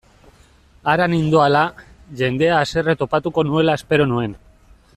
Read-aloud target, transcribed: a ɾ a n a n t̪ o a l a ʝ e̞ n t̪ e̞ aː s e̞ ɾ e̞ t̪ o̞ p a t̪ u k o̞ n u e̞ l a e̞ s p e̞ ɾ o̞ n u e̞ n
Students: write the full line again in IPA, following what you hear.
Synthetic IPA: a ɾ a n i n d̪ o a l a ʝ e̞ n d̪ e̞ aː s e̞ r e̞ t̪ o̞ p a t̪ u k o̞ n u e̞ l a e̞ s p e̞ ɾ o̞ n u e̞ n